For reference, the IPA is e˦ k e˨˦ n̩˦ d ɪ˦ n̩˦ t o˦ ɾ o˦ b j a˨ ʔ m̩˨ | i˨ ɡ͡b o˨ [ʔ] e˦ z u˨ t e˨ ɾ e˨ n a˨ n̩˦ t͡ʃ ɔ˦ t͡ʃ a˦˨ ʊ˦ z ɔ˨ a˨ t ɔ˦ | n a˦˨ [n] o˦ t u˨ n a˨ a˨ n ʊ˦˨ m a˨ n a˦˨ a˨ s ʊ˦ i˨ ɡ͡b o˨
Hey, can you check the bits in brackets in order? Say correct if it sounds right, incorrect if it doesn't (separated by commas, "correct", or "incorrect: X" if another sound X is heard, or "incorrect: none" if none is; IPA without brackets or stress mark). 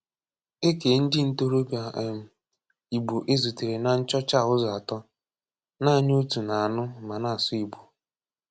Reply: correct, incorrect: ɲ